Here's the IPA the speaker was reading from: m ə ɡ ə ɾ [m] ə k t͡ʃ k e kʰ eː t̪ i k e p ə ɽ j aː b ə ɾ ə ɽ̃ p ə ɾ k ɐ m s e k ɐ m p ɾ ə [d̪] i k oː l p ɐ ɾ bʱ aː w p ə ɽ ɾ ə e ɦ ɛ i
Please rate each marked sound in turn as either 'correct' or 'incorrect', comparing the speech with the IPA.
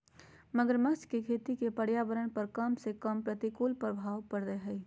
correct, incorrect

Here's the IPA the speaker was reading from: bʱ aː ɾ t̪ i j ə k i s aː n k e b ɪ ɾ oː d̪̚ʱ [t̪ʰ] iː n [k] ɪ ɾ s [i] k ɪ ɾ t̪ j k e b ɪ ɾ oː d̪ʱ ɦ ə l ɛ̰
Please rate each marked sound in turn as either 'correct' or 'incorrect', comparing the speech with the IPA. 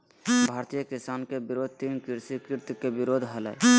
incorrect, correct, correct

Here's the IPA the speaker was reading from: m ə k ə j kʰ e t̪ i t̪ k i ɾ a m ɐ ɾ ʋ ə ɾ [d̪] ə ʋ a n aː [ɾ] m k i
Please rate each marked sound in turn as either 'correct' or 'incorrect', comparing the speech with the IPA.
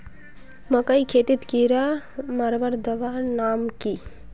correct, incorrect

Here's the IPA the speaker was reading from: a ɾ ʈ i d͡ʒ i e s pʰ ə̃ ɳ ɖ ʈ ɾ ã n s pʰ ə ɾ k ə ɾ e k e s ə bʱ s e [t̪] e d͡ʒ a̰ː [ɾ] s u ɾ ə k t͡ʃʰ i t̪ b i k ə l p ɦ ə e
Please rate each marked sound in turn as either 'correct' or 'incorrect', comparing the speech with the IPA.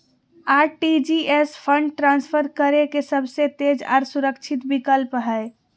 correct, correct

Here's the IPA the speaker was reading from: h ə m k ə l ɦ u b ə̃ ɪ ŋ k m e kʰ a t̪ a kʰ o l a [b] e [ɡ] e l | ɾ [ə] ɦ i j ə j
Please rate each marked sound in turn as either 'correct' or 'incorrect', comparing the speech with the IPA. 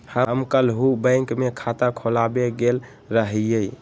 correct, correct, correct

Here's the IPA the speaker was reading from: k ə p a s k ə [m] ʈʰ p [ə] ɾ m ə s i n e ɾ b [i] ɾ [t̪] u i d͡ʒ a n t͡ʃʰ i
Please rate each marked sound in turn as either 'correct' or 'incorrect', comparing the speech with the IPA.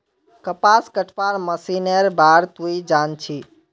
incorrect, incorrect, incorrect, correct

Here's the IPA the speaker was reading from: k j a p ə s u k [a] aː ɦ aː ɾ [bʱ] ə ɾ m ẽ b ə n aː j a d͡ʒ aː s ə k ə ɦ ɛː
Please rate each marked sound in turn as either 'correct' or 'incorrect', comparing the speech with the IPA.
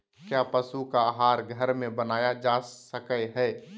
correct, incorrect

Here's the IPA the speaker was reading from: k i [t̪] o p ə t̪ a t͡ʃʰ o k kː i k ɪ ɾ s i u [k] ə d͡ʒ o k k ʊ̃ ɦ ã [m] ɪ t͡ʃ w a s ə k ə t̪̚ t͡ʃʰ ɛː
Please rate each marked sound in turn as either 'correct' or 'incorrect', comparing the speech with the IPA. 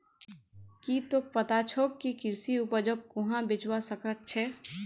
correct, incorrect, incorrect

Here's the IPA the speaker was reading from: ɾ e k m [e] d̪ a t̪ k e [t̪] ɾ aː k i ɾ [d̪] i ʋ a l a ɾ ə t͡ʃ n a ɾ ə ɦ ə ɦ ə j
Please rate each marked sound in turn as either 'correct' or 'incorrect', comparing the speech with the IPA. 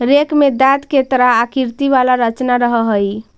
correct, correct, incorrect

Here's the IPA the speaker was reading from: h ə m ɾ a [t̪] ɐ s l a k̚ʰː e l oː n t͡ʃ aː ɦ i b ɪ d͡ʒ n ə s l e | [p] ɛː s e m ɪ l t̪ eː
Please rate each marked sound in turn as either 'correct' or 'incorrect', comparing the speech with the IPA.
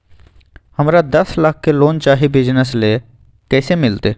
incorrect, incorrect

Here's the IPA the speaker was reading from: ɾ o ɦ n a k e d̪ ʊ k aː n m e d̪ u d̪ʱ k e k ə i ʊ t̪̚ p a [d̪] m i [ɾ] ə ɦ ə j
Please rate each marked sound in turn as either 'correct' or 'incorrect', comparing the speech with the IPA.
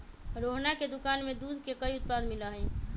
correct, incorrect

